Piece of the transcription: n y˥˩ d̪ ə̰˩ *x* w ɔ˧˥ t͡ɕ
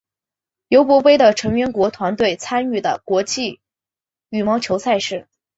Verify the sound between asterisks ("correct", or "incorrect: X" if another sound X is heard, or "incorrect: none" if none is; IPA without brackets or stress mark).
incorrect: k